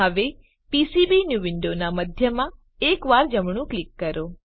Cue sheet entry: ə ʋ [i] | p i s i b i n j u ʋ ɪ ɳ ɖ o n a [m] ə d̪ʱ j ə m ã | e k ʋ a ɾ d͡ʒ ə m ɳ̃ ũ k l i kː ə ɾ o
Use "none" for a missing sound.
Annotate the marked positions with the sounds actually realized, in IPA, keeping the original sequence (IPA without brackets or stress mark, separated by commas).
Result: e, m